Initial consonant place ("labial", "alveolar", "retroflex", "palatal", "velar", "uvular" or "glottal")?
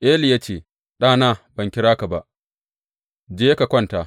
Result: glottal